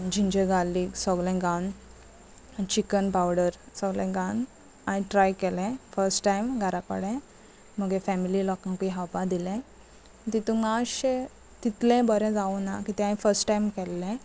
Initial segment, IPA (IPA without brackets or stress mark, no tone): d͡ʑ